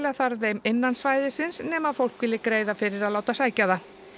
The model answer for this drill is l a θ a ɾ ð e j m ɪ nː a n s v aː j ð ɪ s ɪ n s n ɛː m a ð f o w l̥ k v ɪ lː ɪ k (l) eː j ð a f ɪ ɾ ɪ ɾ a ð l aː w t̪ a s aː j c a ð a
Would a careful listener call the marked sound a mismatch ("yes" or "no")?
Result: yes